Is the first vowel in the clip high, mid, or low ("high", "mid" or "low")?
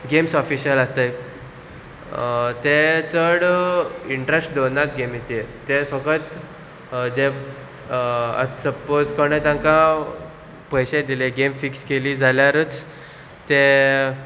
mid